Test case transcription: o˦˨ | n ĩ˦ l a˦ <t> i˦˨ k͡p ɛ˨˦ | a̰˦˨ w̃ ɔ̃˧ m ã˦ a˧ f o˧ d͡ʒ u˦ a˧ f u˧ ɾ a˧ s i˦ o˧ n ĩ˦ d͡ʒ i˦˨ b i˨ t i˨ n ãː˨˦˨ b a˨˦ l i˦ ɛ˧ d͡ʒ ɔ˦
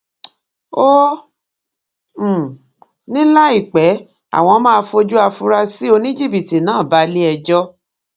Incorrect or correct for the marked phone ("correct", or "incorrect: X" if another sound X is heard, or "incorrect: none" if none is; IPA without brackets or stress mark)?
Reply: incorrect: none